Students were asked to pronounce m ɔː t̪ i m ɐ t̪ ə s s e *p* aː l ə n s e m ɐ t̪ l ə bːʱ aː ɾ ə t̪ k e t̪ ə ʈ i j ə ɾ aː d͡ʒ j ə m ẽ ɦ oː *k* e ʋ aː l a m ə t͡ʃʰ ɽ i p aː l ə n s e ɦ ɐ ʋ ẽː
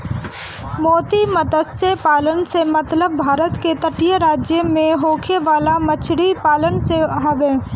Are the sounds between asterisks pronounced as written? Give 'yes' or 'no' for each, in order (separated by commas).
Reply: yes, no